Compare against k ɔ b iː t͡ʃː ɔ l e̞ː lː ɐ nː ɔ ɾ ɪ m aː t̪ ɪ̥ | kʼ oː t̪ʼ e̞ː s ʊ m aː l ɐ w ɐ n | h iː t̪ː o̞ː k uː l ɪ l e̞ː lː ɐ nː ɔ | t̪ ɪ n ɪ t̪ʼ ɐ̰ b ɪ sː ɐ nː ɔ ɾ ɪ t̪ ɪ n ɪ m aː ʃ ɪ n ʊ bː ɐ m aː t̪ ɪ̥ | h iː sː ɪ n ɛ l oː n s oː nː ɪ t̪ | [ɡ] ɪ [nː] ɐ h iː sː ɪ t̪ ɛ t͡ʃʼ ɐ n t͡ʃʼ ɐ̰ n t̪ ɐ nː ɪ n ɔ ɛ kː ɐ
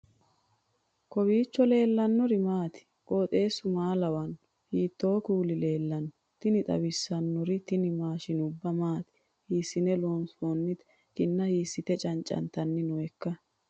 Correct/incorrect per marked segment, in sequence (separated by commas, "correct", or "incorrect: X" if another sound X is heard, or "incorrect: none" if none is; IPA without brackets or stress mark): incorrect: k, correct